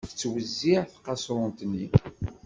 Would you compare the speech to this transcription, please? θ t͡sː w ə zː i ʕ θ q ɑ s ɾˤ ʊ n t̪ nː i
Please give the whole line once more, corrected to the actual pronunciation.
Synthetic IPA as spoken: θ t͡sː w ə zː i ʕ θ q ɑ s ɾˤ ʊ n t̪ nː i

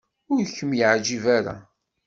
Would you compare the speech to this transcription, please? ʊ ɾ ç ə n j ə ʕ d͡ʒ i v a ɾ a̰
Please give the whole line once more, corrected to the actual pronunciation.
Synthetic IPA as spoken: ʊ ɾ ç ə m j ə ʕ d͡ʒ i v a ɾ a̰

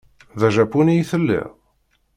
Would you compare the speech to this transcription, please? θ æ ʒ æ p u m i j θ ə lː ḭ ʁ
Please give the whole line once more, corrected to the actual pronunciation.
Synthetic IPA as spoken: ð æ ʒ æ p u n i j θ ə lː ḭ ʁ

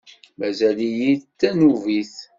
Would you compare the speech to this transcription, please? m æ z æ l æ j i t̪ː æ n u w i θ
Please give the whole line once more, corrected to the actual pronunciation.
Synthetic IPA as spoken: m æ z æ l i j i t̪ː æ n u v i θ

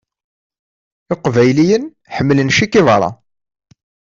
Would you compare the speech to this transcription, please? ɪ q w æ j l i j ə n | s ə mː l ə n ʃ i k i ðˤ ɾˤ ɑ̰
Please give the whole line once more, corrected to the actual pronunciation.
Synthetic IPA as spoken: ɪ q v æ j l i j ə n | ħ ə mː l ə n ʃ i k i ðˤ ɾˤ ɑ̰

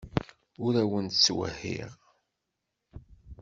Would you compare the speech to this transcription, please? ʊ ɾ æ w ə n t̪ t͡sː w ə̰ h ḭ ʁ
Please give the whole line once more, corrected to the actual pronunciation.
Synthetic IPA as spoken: ʊ ɾ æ w ə n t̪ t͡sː w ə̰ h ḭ ʁ

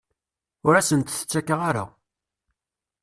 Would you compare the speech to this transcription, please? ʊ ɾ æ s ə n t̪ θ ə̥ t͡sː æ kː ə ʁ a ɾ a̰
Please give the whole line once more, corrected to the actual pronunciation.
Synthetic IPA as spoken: ʊ ɾ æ s ə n t̪ θ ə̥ t͡sː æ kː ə ʁ a ɾ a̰

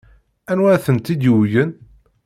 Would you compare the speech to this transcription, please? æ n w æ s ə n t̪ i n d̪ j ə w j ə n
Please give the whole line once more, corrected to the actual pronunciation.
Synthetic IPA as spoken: æ n w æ θ ə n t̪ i d̪ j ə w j ə n

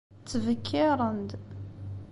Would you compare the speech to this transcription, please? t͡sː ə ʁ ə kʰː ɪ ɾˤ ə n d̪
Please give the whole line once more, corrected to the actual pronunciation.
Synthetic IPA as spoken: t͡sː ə v ə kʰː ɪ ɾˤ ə n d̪

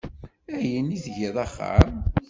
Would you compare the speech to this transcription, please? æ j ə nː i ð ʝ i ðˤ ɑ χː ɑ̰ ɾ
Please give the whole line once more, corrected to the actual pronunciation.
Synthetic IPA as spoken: æ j ə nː i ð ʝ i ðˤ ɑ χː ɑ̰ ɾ

